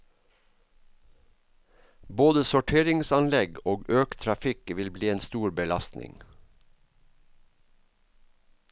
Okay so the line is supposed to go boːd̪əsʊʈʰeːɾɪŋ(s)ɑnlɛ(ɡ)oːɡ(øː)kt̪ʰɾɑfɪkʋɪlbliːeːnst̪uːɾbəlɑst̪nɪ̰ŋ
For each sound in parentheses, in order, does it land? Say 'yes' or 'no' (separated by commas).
yes, yes, yes